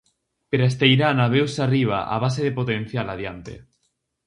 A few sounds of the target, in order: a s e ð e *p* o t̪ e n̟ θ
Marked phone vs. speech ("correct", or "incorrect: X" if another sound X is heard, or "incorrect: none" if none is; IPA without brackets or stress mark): correct